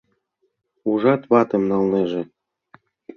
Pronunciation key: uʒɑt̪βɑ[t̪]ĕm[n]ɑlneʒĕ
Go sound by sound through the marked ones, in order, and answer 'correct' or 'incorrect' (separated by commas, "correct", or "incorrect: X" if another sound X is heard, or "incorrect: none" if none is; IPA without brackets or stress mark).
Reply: correct, correct